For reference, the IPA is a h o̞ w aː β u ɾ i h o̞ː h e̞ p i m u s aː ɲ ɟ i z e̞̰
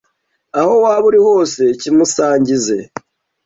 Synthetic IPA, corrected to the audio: a h o̞ w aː β u ɾ i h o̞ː s e̞ c i m u s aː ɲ ɟ i z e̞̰